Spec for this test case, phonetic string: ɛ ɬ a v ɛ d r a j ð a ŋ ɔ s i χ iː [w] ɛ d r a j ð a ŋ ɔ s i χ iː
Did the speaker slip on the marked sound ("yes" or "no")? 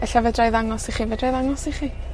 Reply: yes